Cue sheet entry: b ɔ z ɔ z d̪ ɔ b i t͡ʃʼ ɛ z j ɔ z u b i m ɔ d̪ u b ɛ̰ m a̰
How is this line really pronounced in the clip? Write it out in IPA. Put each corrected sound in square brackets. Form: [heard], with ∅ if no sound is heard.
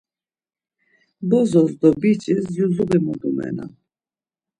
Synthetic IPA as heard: b ɔ z ɔ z d̪ ɔ b i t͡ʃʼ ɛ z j [u] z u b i m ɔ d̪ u [m] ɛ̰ [n] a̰